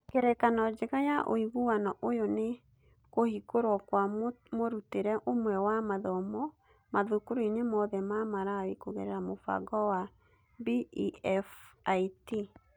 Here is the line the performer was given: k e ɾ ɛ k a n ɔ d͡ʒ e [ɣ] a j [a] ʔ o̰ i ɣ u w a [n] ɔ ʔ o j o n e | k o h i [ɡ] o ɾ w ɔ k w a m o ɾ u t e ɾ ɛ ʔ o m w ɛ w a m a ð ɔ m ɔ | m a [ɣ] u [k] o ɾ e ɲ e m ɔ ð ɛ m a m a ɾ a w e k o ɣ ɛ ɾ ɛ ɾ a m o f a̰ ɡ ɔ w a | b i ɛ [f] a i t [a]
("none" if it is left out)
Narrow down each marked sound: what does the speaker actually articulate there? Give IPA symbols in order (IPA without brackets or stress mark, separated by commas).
ɣ, a, n, k, ð, k, f, i